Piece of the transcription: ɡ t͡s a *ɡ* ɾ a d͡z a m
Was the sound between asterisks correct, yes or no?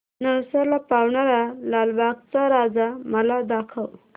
no